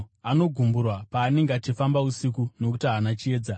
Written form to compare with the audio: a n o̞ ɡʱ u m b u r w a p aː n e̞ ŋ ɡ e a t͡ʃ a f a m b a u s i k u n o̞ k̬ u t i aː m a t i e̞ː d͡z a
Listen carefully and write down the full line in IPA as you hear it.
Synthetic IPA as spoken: a n o̞ ɡʱ u m b u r w a p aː n e̞ ŋ ɡ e a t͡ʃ i f a m b a u s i k u n o̞ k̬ u t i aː n a t͡ʃ i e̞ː d͡z a